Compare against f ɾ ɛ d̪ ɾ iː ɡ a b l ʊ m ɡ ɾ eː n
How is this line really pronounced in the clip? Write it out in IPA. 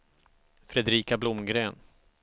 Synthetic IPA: f ɾ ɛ d̪ ɾ iː k a b l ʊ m ɡ ɾ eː n